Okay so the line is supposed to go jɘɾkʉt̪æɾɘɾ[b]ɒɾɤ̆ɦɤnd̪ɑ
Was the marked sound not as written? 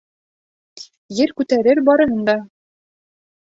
no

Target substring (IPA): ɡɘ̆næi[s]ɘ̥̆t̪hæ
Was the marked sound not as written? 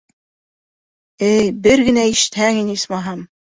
yes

